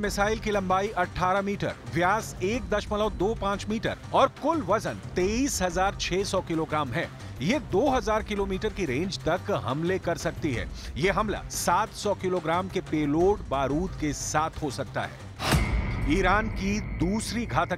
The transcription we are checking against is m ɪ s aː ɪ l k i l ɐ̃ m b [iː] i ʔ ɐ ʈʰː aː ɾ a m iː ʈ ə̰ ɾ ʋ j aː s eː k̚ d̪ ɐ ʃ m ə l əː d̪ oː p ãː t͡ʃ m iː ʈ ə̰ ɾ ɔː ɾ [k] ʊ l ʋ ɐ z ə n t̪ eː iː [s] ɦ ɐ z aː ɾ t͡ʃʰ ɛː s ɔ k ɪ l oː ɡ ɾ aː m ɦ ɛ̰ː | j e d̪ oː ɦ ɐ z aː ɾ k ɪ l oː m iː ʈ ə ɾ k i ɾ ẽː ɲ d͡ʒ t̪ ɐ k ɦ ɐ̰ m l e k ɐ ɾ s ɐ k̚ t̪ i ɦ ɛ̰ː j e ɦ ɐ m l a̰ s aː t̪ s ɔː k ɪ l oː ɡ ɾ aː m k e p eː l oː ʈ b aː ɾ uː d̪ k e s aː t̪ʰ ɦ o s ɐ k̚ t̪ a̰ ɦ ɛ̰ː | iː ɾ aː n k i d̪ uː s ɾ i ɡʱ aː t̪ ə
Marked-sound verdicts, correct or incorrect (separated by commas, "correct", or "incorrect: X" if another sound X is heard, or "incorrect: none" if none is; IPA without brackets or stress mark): incorrect: aː, correct, correct